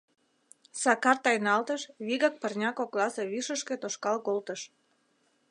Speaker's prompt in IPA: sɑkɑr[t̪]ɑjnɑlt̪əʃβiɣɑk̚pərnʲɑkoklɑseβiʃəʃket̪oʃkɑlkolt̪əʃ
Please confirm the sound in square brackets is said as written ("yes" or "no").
yes